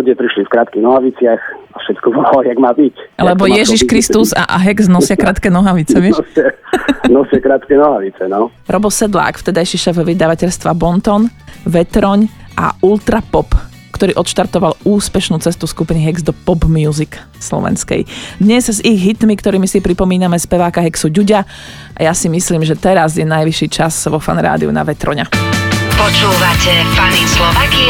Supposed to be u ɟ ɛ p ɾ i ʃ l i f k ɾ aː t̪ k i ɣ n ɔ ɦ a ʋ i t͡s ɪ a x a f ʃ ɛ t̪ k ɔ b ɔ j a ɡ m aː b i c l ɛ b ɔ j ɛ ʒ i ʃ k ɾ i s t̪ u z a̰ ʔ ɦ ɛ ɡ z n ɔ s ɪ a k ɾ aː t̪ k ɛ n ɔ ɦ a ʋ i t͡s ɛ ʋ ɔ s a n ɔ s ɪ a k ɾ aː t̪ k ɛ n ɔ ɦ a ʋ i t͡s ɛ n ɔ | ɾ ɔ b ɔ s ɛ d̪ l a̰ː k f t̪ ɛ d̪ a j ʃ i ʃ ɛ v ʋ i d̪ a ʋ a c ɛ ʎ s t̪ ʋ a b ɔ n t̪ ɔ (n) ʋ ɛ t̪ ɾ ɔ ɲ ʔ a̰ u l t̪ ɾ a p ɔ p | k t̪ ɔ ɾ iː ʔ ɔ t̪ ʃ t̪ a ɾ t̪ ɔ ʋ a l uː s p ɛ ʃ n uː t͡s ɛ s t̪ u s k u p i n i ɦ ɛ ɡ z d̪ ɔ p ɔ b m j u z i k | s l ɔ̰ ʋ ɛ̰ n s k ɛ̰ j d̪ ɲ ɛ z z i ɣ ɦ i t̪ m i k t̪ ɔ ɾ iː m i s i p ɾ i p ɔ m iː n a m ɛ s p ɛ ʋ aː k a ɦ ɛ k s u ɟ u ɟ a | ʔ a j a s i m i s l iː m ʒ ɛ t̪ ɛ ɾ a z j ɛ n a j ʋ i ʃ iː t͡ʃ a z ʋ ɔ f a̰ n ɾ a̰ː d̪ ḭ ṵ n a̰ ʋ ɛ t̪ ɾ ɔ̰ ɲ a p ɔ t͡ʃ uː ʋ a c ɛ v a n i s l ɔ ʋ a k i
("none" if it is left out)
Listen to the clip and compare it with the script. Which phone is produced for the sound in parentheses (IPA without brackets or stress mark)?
n